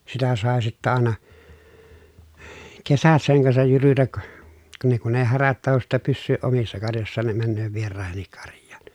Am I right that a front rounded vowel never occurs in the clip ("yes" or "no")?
no